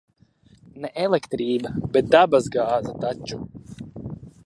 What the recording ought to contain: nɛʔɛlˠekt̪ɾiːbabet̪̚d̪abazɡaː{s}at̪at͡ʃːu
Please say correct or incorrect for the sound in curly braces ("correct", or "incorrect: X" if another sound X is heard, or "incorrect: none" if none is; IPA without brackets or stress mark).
incorrect: z